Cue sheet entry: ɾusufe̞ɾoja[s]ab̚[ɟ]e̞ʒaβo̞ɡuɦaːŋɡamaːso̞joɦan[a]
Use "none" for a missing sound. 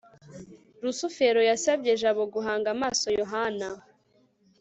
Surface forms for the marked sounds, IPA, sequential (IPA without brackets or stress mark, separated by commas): s, ɟ, a